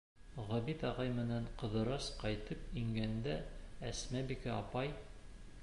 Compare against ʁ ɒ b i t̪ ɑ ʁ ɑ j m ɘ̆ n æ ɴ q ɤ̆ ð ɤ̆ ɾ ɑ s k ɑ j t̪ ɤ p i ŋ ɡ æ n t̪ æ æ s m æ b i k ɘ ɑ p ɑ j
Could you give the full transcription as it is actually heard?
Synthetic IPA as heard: ʁ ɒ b i t̪ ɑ ʁ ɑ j m ɘ̆ n æ ɴ q ɤ̆ ð ɤ̆ ɾ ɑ s q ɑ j t̪ ɤ p i ŋ ɡ æ n d̪ æ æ s m æ b i k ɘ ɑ p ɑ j